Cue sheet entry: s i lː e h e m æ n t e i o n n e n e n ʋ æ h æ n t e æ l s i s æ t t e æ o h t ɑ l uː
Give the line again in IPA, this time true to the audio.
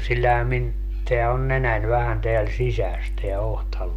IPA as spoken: s i lː æ h æ m i n t e æ o n n e n æ n ʋ æ h æ n t e æ l s i s æ s t e æ o h t ɑ l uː